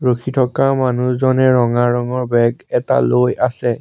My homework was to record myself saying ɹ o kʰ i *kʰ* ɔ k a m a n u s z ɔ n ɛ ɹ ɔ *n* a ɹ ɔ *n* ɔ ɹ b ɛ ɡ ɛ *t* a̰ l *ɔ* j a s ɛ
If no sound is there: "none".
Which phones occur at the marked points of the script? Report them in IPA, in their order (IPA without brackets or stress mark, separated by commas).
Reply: tʰ, ŋ, ŋ, t, o